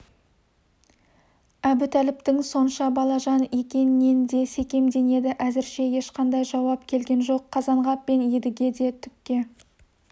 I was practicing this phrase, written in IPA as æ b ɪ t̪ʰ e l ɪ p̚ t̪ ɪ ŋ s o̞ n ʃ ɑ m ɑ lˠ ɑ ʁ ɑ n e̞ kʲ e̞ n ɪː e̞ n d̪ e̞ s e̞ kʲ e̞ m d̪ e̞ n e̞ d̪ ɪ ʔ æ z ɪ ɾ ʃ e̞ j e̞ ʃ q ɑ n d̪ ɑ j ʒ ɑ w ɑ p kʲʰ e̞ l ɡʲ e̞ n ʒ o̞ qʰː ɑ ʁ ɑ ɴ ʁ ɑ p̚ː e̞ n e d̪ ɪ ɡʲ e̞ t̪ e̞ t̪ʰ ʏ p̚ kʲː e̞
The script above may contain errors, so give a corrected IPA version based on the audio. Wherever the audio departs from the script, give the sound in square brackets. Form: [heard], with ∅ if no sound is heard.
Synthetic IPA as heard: æ b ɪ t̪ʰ [æ] l ɪ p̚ t̪ ɪ ŋ s o̞ n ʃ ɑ [b] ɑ lˠ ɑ [ʒ] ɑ n e̞ kʲ e̞ n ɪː e̞ n d̪ e̞ s e̞ kʲ e̞ m d̪ e̞ n e̞ d̪ ɪ ʔ æ z ɪ ɾ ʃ e̞ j e̞ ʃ q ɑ n d̪ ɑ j ʒ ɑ w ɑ p kʲʰ e̞ l ɡʲ e̞ n ʒ o̞ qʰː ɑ [z] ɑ ɴ ʁ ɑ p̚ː e̞ n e d̪ ɪ ɡʲ e̞ [d̪] e̞ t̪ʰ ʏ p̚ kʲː e̞